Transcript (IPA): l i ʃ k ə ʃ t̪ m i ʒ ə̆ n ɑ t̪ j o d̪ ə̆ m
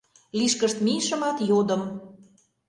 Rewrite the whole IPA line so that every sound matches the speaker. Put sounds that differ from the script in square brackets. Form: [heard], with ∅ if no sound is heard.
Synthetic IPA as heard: l i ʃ k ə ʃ t̪ m i [ʃ] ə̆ [m] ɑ t̪ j o d̪ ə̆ m